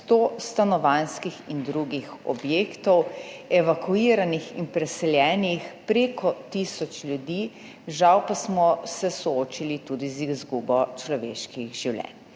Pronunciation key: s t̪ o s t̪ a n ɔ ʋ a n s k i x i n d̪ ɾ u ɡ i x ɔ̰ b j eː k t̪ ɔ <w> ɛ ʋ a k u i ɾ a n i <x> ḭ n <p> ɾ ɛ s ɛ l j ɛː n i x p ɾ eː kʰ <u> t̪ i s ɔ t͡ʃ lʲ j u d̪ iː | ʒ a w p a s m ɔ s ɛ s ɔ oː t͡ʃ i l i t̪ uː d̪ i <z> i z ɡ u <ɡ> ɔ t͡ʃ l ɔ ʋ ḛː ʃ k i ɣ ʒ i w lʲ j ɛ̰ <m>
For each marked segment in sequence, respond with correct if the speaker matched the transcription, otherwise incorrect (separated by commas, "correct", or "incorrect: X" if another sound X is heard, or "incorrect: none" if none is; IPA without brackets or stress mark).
correct, correct, correct, incorrect: ɔ, correct, incorrect: b, incorrect: n